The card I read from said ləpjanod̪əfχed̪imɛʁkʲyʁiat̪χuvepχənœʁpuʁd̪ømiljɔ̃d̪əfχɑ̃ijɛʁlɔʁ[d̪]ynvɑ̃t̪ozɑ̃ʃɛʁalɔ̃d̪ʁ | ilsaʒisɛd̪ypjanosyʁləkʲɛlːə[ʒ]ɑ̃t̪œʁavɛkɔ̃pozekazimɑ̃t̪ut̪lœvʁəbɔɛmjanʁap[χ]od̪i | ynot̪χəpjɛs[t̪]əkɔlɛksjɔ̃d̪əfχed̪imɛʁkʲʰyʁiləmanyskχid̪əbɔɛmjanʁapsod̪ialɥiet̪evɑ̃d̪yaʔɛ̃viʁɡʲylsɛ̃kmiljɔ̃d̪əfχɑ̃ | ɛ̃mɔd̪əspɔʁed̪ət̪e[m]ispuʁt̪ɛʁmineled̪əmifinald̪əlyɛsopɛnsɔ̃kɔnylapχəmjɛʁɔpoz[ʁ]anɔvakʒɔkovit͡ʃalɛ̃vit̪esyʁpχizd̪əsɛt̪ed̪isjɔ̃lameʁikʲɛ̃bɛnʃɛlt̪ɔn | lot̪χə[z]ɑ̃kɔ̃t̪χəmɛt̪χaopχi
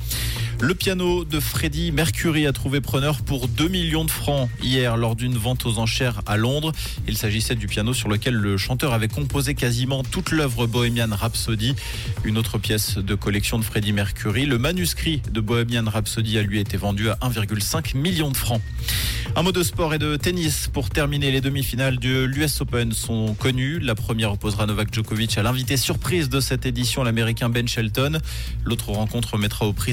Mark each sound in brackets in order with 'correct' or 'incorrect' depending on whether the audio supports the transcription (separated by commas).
correct, incorrect, incorrect, incorrect, incorrect, correct, incorrect